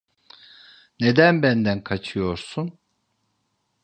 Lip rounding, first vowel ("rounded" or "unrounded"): unrounded